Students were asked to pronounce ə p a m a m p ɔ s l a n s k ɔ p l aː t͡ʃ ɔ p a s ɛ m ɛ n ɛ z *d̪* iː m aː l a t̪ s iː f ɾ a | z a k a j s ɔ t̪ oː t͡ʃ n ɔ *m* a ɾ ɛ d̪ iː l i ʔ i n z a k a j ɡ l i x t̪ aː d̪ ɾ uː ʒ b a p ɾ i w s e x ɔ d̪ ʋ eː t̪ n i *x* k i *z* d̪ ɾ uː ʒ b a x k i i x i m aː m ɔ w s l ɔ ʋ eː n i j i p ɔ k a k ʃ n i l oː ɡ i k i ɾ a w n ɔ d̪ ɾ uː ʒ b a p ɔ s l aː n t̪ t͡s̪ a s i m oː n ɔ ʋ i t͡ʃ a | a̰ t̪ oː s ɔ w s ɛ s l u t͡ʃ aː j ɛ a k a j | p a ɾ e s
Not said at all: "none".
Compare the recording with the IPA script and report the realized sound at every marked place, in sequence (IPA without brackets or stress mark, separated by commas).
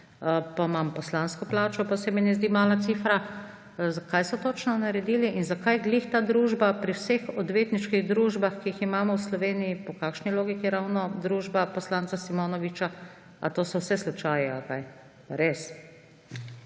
d̪, n, ʃ, ɣ